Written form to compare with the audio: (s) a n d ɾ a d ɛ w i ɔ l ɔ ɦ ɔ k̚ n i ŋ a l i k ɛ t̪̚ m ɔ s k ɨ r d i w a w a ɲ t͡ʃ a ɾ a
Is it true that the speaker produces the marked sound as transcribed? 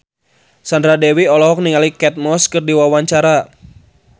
yes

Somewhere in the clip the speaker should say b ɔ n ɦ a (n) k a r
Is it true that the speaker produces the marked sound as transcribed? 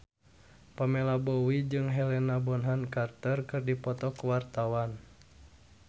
yes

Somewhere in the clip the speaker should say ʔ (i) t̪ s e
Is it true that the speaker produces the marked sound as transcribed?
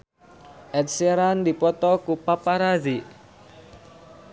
no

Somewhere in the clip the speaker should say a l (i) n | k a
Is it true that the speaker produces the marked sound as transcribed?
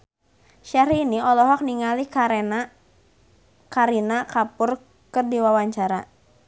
yes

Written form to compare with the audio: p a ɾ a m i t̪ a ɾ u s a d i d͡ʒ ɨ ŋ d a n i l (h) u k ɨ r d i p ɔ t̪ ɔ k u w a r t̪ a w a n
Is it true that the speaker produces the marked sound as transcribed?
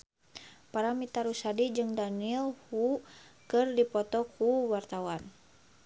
yes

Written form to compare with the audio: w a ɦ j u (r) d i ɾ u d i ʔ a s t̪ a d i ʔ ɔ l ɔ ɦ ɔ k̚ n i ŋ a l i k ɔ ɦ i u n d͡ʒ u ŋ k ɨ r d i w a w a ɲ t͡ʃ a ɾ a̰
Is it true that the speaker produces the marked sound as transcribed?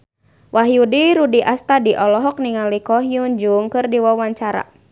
no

